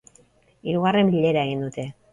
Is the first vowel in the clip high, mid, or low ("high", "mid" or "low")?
high